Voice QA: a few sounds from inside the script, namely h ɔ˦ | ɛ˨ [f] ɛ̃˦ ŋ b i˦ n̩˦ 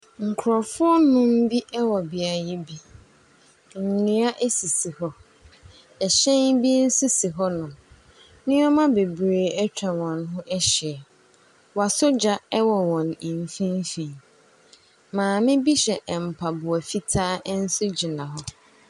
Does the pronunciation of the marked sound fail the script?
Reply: yes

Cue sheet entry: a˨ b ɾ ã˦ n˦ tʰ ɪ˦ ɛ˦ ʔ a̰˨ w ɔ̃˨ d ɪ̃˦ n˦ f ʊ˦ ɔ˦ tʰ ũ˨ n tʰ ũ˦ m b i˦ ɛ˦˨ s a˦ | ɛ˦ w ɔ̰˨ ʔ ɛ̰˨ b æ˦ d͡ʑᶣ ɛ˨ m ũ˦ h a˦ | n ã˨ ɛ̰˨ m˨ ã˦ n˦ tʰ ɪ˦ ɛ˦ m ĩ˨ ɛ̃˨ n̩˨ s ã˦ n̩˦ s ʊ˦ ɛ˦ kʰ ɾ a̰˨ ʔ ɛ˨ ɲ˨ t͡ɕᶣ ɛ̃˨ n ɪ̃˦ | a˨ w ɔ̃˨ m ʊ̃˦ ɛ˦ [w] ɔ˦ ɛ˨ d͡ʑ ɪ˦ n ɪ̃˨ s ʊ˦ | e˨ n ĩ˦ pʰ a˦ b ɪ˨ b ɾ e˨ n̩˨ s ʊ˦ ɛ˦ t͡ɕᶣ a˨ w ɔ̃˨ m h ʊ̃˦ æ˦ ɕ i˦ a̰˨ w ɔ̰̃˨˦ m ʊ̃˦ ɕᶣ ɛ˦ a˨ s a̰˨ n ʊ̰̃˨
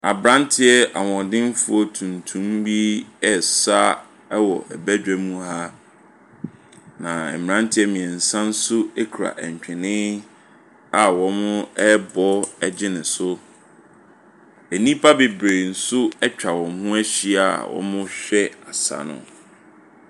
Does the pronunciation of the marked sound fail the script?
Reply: yes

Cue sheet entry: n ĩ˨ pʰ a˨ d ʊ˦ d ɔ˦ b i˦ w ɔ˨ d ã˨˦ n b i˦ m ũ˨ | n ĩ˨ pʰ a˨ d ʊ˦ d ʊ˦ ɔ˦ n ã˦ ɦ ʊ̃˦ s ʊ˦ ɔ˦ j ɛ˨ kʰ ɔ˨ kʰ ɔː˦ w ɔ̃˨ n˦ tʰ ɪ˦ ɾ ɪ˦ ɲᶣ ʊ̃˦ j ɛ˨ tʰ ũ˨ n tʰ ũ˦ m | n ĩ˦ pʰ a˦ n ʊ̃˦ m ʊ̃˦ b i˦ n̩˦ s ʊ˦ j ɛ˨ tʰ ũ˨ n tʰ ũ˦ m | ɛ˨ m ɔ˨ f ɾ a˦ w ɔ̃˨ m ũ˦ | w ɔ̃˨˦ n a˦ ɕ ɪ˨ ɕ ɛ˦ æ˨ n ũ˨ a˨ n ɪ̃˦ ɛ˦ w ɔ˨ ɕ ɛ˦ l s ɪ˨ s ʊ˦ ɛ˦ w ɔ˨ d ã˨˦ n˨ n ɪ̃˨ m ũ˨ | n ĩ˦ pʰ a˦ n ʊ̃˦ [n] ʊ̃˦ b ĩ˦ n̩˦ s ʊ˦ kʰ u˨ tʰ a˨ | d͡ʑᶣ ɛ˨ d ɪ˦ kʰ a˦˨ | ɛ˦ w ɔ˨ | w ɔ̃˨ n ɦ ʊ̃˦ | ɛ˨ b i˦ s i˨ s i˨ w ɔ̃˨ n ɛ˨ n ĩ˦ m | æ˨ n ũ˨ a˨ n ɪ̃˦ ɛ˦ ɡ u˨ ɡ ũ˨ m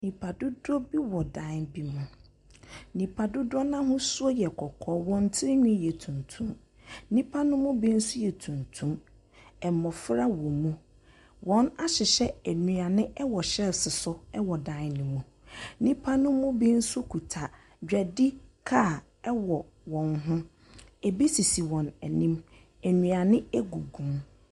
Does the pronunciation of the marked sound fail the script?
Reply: yes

